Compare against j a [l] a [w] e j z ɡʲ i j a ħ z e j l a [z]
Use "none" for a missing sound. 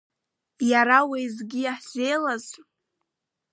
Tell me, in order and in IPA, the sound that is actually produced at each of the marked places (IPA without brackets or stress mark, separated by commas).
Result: ɾ, w, z